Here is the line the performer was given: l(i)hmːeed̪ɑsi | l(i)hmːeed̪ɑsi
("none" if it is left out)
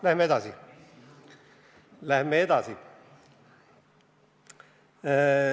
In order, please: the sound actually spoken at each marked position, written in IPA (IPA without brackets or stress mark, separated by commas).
æ, æ